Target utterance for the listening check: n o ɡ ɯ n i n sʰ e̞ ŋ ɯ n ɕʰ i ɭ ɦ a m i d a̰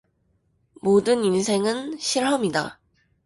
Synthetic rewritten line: m o d ɯ n i n sʰ e̞ ŋ ɯ n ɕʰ i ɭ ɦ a m i d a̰